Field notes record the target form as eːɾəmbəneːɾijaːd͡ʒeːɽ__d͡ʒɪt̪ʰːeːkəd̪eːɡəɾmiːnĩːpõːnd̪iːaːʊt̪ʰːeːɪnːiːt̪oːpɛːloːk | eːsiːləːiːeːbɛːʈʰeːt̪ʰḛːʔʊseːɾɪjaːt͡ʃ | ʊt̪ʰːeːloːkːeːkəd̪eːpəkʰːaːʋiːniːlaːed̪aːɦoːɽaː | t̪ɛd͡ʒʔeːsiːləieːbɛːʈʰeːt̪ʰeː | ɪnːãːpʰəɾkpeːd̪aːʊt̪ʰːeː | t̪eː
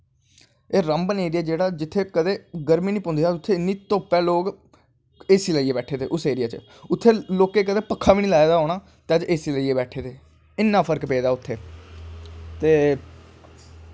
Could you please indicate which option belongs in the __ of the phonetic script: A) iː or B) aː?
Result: B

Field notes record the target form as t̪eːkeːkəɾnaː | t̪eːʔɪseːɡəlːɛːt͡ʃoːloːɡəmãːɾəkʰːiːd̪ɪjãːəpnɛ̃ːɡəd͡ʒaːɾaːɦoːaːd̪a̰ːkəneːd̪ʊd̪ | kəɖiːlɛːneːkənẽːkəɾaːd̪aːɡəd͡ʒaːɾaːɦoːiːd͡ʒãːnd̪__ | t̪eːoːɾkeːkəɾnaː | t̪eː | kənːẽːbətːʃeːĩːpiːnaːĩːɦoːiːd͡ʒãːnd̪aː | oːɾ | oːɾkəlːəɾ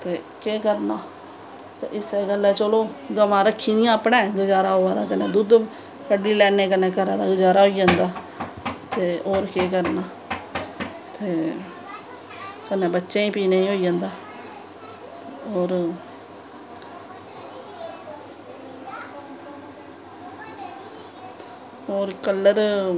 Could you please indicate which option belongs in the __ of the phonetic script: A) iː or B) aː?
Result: B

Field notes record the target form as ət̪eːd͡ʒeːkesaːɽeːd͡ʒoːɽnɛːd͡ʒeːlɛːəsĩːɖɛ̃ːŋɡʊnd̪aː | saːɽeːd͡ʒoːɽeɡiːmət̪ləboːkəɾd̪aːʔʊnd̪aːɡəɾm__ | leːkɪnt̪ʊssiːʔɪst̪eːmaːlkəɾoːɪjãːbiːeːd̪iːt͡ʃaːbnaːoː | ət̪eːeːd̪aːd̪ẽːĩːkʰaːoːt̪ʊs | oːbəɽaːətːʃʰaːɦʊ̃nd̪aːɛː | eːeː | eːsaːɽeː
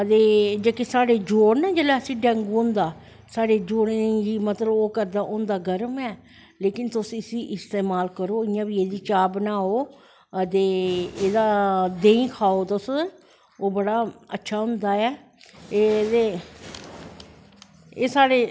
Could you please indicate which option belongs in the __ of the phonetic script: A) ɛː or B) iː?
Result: A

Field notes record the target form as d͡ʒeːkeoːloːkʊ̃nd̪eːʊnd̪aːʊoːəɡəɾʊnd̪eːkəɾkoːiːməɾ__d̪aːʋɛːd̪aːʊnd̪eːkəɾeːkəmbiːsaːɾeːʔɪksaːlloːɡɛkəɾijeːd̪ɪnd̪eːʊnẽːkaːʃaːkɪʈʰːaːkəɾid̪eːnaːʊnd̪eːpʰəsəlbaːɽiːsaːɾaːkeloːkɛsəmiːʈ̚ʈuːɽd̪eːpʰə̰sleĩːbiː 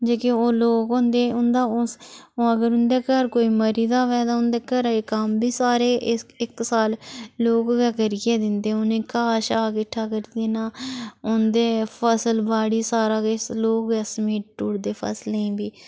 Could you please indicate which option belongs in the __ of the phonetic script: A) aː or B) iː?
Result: B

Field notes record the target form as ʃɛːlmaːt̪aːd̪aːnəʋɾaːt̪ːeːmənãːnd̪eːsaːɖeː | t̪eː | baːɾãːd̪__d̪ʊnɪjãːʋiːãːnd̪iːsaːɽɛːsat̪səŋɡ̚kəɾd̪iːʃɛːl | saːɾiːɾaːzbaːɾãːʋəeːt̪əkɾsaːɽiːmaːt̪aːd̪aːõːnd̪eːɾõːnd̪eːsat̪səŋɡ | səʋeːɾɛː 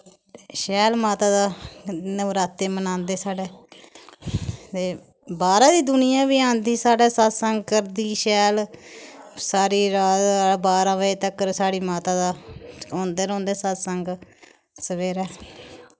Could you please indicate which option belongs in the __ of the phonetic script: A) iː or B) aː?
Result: A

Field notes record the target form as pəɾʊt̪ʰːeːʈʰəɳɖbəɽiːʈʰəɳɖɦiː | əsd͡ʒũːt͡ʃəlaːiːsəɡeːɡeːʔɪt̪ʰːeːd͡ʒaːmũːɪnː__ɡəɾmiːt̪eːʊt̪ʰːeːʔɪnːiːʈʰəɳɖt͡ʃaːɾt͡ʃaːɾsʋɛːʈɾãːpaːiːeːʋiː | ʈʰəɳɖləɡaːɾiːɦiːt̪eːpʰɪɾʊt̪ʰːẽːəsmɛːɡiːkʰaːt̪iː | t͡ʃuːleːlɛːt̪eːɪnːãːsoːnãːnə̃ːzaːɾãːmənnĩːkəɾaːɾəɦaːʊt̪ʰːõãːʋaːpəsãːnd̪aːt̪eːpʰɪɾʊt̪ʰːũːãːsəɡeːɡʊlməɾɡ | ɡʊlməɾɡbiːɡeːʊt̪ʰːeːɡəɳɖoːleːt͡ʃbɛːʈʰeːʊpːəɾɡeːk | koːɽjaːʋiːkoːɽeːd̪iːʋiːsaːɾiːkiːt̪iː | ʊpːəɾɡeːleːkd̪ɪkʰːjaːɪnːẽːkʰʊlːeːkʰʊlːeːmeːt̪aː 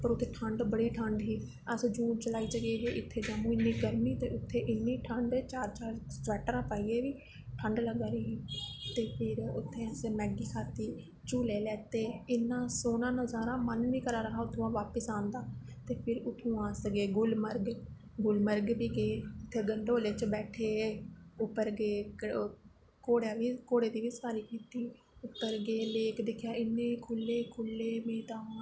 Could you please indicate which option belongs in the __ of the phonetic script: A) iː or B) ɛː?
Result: A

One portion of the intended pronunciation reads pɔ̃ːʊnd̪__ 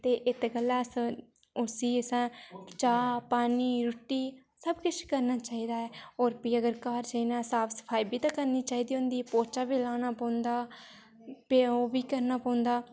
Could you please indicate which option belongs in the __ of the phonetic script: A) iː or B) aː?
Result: B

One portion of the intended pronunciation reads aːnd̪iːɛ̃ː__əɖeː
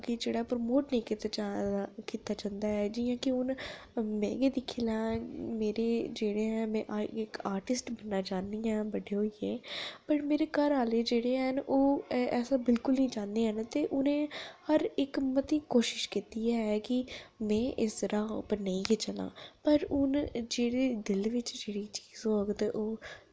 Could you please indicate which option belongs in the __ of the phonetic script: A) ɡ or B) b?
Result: B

